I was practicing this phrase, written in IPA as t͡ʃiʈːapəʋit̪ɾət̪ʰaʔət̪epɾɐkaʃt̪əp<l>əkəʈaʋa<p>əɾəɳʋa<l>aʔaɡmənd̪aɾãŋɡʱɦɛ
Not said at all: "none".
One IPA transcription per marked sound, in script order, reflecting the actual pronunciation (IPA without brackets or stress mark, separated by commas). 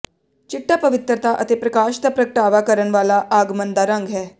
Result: ɾ, k, l